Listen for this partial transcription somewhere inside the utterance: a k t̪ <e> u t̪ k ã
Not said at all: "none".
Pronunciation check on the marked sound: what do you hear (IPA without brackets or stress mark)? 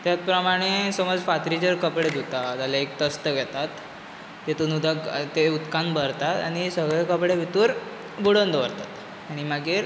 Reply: e